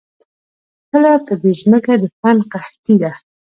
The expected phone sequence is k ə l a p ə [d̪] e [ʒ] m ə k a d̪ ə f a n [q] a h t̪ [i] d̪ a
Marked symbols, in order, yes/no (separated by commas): yes, yes, yes, yes